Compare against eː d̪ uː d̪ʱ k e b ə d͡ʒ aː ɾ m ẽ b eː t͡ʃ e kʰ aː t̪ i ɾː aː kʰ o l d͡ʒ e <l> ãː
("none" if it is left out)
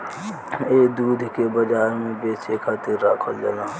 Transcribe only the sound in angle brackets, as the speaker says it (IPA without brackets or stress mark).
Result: l